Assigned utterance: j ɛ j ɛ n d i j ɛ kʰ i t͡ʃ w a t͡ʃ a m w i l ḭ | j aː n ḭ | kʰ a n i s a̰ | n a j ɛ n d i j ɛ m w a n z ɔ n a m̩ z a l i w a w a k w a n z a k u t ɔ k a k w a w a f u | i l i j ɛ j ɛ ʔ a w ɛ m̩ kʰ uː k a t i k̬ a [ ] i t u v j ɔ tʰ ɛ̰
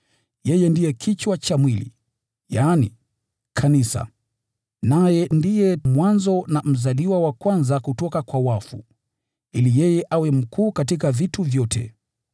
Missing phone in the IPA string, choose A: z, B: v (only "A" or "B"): B